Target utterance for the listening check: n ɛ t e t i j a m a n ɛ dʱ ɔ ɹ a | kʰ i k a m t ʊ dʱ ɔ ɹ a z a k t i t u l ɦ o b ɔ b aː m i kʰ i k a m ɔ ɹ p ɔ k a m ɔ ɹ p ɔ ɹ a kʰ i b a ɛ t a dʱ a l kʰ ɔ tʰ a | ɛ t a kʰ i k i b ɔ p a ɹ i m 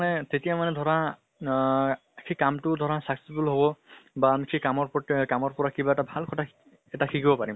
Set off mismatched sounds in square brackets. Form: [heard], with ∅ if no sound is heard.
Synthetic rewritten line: n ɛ t e t i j a m a n ɛ dʱ ɔ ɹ a | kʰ i k a m t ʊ dʱ ɔ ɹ a [s] a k [s] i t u l ɦ o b ɔ b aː m i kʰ i k a m ɔ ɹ p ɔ k a m ɔ ɹ p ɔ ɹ a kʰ i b a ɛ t a [bʱ] a l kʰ ɔ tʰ a | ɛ t a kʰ i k i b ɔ p a ɹ i m